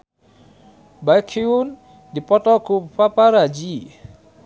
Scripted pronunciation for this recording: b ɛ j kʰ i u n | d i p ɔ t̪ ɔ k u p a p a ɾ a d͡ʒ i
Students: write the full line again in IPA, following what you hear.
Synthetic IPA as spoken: b a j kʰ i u n | d i p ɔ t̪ ɔ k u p a p a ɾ a d͡ʒ i

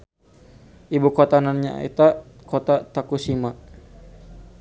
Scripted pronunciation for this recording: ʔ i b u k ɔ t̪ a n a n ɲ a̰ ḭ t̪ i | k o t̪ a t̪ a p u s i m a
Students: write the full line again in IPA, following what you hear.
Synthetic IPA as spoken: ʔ i b u k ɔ t̪ a n a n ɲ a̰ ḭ t̪ a | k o t̪ a t̪ a k u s i m a

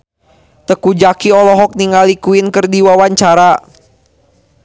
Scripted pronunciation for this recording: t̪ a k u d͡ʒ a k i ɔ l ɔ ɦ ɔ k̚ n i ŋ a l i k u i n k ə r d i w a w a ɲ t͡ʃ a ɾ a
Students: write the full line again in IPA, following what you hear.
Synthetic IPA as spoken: t̪ ə k u d͡ʒ a k i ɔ l ɔ ɦ ɔ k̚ n i ŋ a l i k u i n k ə r d i w a w a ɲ t͡ʃ a ɾ a

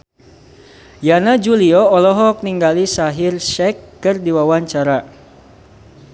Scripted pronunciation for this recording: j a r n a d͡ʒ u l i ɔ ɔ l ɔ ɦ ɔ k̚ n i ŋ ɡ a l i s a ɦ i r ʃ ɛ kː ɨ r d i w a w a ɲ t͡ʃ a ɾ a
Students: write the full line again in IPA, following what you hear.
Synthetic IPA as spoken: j a n a d͡ʒ u l i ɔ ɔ l ɔ ɦ ɔ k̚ n i ŋ ɡ a l i s a ɦ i r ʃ ɛ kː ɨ r d i w a w a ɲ t͡ʃ a ɾ a

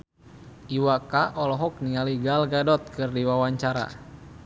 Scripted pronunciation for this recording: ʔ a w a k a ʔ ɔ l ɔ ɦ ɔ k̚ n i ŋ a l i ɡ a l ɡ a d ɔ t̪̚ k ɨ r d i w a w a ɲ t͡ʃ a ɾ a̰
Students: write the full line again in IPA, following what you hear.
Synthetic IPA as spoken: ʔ i w a k a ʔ ɔ l ɔ ɦ ɔ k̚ n i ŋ a l i ɡ a l ɡ a d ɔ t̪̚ k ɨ r d i w a w a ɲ t͡ʃ a ɾ a̰

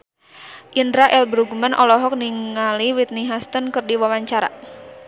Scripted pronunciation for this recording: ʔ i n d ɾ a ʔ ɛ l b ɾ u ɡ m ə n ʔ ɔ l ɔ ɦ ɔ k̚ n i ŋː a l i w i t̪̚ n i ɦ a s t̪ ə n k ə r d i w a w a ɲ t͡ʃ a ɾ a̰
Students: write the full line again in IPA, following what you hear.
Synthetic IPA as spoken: ʔ i n d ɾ a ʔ ɛ l b ɾ u ɡ m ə n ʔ ɔ l ɔ ɦ ɔ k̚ n i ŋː a l i w i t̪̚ n i ɦ a s t̪ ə n k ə r d i w a w a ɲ t͡ʃ a ɾ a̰

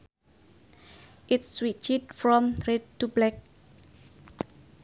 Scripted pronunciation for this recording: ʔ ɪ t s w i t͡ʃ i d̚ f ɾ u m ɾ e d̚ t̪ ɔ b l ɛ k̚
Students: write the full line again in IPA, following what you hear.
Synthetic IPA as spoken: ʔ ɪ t s w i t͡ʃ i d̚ f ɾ ɔ m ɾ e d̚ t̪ u b l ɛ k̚

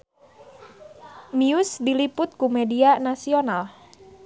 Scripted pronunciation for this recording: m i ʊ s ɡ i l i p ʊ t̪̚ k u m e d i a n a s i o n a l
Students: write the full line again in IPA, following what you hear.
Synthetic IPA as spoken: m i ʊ s d i l i p ʊ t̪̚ k u m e d i a n a s i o n a l

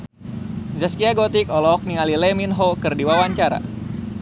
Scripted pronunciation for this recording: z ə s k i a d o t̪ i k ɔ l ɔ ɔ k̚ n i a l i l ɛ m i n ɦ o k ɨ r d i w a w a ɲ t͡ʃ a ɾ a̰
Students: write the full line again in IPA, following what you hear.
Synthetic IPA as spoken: z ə s k i a ɡ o t̪ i k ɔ l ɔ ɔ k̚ n i a l i l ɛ m i n ɦ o k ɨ r d i w a w a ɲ t͡ʃ a ɾ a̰

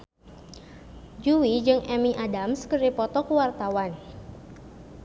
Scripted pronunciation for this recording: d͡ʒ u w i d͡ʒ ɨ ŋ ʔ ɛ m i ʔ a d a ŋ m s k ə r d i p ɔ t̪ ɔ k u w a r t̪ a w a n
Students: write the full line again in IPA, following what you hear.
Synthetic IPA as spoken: d͡ʒ u w i d͡ʒ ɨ ŋ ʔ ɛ m i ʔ a d a m s k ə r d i p ɔ t̪ ɔ k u w a r t̪ a w a n

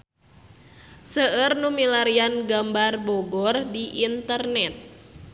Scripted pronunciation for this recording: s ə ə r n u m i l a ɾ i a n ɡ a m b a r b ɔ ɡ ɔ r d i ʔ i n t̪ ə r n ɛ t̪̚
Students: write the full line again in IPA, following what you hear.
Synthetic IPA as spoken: s ə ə r n u m i l a ɾ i a n ɡ a m b a r b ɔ ɡ ɔ r d i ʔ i n t̪ ə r n ɛ t̪̚

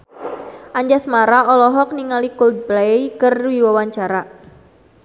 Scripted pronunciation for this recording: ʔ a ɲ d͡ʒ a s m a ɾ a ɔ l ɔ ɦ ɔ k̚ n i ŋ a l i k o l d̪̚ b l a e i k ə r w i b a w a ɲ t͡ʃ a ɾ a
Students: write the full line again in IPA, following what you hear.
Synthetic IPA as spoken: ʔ a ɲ d͡ʒ a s m a ɾ a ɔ l ɔ ɦ ɔ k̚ n i ŋ a l i k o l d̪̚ b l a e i k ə r w i w a w a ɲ t͡ʃ a ɾ a

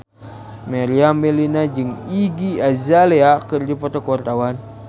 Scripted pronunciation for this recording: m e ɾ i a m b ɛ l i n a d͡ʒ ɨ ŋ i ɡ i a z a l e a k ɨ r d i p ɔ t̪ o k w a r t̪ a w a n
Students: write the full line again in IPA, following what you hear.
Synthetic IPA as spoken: m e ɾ i a m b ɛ l i n a d͡ʒ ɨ ŋ i ɡ i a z a l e a k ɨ r d i p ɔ t̪ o k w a r t̪ a w a n

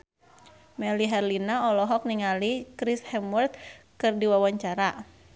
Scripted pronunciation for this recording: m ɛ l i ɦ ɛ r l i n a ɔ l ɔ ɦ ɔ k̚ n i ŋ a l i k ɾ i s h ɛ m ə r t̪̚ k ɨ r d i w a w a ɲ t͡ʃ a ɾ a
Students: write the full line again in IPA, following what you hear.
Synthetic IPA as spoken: m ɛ l i ɦ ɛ r l i n a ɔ l ɔ ɦ ɔ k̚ n i ŋ a l i k ɾ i s h ɛ m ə r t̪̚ k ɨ r d i w a w a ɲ t͡ʃ a ɾ a

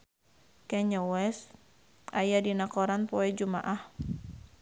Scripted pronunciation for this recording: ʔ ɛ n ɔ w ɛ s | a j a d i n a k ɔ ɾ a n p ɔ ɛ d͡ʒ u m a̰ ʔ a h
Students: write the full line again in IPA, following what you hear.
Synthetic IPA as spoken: k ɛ ɲ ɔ w ɛ s | a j a d i n a k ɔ ɾ a n p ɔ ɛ d͡ʒ u m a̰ ʔ a h

